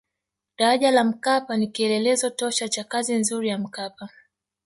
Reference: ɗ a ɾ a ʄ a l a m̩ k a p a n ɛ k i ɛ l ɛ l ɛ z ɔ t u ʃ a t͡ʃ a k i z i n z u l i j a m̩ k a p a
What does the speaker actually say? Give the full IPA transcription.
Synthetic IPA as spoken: ɗ a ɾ a ʄ a l a m̩ k a p a n i k i ɛ l ɛ l ɛ z ɔ t ɔ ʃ a t͡ʃ a k a z i n z u ɾ i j a m̩ k a p a